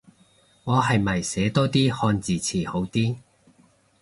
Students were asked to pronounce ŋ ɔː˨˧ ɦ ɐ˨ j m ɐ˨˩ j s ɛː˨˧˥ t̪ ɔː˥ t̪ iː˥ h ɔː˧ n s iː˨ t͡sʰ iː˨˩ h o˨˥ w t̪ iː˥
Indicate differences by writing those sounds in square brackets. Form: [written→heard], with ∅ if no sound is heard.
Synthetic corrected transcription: ŋ ɔː˨˧ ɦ ɐ˨ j m ɐ˨˩ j s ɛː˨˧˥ t̪ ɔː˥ t̪ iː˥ h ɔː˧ n [s→t͡s] iː˨ t͡sʰ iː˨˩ h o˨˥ w t̪ iː˥